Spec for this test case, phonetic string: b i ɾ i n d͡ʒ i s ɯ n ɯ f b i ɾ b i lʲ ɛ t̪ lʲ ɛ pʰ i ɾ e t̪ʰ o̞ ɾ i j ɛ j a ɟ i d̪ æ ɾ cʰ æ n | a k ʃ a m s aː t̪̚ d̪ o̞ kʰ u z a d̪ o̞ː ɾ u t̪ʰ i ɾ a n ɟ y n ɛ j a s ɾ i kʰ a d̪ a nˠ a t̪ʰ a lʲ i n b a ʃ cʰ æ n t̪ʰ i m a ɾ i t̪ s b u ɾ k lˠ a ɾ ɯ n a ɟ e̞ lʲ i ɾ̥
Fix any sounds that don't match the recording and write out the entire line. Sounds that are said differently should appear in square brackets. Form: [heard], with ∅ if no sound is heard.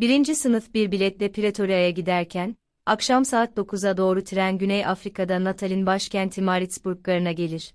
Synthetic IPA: b i ɾ i n d͡ʒ i s ɯ n ɯ f b i ɾ b i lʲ ɛ t̪ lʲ ɛ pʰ i ɾ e t̪ʰ o̞ ɾ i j [a] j a ɟ i d̪ æ ɾ cʰ æ n | a k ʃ a m s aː t̪̚ d̪ o̞ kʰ u z a d̪ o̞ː ɾ u t̪ʰ i ɾ [æ] n ɟ y n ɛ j a [f] ɾ i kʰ a d̪ a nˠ a t̪ʰ a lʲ i n b a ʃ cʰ æ n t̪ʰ i m a ɾ i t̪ s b u ɾ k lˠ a ɾ ɯ n a ɟ e̞ lʲ i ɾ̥